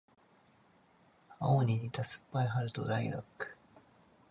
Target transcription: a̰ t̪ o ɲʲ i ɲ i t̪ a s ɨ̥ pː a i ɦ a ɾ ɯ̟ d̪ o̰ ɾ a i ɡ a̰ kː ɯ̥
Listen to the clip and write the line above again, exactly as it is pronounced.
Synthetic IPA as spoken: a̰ o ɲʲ i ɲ i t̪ a s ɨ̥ pː a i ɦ a ɾ ɯ̟ t̪ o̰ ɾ a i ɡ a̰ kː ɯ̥